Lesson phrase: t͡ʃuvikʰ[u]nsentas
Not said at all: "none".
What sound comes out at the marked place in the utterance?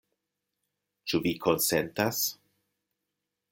o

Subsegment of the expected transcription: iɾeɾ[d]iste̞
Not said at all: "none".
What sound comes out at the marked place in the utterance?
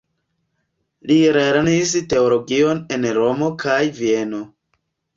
n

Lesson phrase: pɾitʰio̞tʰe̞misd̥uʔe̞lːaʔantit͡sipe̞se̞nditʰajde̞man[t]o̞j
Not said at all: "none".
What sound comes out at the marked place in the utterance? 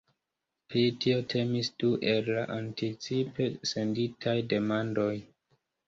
d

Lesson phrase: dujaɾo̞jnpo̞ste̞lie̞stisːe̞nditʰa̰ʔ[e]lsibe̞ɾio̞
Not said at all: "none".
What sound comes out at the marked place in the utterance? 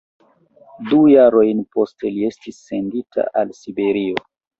a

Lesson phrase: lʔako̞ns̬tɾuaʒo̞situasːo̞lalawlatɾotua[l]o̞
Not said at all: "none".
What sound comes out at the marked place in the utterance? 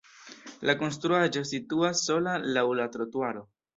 ɾ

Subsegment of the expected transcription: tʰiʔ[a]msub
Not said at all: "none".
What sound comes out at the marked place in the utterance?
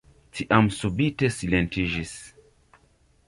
a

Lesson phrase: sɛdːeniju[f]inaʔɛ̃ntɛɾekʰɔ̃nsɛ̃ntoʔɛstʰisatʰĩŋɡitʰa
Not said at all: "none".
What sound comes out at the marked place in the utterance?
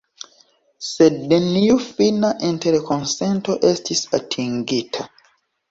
f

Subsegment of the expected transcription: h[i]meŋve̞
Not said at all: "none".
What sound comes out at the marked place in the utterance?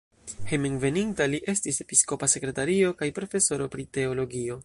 e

